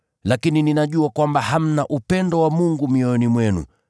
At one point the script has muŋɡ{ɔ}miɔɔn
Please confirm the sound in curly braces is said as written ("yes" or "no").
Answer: no